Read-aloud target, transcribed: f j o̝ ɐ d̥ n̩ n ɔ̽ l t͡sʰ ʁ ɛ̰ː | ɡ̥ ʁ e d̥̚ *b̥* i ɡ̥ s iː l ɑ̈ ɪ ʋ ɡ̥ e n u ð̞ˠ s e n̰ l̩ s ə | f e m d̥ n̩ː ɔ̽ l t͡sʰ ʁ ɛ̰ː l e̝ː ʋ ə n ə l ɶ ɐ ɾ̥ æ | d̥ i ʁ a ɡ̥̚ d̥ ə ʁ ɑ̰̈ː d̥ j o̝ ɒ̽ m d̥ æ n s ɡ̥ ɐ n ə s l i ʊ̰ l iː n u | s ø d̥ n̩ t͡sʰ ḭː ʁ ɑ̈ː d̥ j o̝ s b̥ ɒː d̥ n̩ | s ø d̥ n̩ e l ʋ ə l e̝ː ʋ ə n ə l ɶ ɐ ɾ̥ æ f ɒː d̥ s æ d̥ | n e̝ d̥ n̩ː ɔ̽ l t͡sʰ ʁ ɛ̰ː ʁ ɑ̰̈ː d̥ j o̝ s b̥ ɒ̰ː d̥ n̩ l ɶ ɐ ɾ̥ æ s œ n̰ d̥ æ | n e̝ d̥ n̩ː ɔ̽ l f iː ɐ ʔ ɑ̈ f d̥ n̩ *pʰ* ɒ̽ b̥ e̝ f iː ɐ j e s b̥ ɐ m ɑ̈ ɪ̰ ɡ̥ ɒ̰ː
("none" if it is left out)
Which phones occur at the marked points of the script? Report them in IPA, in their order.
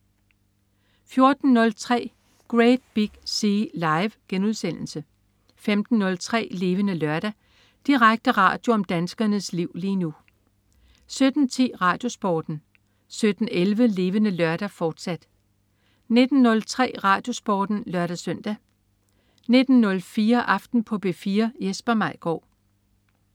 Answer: b̥, pʰ

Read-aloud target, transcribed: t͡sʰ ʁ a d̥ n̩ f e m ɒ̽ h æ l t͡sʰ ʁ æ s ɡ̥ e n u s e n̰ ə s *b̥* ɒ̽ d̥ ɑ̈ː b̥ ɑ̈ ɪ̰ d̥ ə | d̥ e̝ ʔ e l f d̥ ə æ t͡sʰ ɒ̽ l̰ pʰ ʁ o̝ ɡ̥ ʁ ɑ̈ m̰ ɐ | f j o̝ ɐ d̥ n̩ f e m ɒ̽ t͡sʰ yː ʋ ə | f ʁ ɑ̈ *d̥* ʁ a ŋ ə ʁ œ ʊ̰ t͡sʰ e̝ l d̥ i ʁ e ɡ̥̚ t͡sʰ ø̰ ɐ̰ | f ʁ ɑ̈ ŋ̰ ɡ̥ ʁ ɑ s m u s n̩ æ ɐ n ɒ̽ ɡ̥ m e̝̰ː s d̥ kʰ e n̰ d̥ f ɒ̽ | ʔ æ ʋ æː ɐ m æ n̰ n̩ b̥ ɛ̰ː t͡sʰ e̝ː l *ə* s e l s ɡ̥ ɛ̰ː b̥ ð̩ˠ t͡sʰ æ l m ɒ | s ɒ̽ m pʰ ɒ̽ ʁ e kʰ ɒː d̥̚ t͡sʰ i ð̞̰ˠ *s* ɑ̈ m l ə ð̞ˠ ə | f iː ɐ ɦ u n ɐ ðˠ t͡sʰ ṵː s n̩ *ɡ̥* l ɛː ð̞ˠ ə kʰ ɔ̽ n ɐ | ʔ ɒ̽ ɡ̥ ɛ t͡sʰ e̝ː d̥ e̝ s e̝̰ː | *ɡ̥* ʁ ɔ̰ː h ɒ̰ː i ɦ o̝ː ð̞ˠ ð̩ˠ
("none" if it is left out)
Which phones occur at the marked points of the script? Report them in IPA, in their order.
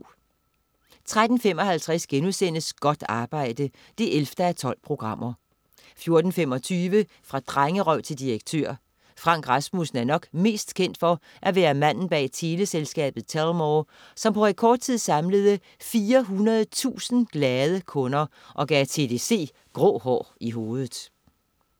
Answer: ɡ̥, d̥, ə, s, ɡ̥, ɡ̥

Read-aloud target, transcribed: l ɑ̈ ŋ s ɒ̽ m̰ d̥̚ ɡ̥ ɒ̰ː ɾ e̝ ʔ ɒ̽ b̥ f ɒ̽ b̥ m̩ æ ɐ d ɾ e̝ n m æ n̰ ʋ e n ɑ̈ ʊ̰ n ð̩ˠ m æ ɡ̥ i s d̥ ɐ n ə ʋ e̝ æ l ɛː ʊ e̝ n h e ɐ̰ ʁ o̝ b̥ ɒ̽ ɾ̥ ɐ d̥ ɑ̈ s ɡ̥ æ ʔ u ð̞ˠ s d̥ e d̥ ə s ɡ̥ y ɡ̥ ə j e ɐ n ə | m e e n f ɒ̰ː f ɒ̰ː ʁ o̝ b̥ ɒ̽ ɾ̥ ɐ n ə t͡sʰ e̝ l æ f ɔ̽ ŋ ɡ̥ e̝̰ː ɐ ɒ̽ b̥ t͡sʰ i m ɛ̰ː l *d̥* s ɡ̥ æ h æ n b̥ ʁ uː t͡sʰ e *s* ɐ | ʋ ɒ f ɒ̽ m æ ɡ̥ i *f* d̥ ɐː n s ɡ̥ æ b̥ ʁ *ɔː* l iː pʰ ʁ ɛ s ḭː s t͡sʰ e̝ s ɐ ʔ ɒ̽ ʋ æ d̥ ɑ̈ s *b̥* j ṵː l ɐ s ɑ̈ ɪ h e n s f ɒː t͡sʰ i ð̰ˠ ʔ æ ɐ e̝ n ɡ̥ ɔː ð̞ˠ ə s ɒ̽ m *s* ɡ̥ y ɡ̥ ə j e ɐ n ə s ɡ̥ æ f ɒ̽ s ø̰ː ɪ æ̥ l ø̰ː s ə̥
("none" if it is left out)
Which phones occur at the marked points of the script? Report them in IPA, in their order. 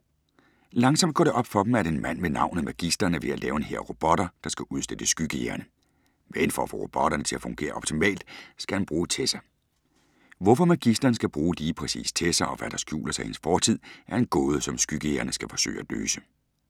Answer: d̥, s, s, uː, ɡ̥, s

